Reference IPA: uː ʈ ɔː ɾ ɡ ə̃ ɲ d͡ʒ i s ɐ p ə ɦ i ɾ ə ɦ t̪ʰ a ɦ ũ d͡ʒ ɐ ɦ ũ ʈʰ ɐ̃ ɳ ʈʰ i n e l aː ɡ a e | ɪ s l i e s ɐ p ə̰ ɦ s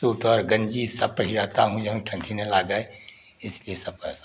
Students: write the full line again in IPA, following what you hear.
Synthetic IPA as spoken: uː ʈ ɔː ɾ ɡ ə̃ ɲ d͡ʒ i s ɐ p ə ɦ i ɾ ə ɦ t̪ a ɦ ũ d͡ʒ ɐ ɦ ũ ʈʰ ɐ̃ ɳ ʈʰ i n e l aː ɡ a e | ɪ s l i e s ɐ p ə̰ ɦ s